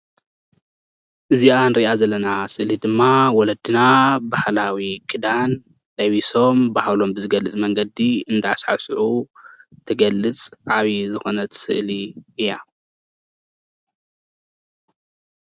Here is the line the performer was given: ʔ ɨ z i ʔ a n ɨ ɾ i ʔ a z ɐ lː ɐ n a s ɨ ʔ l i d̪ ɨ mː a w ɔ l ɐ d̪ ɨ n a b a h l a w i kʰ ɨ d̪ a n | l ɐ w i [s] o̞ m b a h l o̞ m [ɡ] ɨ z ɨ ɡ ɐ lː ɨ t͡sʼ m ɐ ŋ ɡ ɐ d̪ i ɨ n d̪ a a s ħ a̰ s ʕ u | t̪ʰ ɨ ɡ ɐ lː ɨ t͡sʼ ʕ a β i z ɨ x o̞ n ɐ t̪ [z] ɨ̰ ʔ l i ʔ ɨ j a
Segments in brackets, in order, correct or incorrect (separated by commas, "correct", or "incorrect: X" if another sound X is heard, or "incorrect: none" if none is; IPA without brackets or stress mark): correct, incorrect: b, incorrect: s